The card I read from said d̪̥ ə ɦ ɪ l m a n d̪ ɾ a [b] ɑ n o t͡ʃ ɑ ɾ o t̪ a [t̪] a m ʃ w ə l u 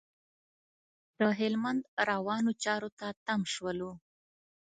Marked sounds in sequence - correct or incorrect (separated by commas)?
incorrect, correct